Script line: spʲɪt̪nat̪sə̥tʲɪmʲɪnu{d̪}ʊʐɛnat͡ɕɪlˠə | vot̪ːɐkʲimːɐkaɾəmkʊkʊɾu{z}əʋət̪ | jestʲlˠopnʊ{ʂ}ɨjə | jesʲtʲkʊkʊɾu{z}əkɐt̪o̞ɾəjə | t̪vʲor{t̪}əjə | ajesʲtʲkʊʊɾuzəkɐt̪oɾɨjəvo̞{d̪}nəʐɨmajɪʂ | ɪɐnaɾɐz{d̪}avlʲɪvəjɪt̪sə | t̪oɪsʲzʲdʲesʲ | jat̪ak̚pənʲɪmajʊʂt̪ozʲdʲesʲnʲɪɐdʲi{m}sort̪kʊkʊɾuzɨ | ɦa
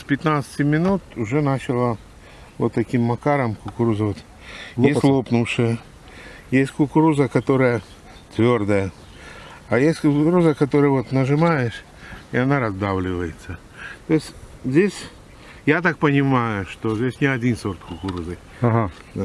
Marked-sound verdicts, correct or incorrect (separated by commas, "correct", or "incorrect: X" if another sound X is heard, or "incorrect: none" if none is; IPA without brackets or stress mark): incorrect: t̪, correct, correct, correct, incorrect: d̪, incorrect: t̪, correct, incorrect: n